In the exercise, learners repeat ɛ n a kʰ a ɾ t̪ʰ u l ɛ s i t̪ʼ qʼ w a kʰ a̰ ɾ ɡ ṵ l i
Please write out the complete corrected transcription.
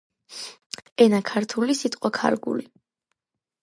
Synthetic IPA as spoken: ɛ n a kʰ a ɾ t̪ʰ u l i s i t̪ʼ qʼ w a kʰ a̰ ɾ ɡ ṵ l i